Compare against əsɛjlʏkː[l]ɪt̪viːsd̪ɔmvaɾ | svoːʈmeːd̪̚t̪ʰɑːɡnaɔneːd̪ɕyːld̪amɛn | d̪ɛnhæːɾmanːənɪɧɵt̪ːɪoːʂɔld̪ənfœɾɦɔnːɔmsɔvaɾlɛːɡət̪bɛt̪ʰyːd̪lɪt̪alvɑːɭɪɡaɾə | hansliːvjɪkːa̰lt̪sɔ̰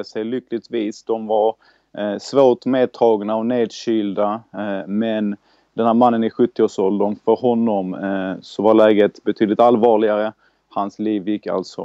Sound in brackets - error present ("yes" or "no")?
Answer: no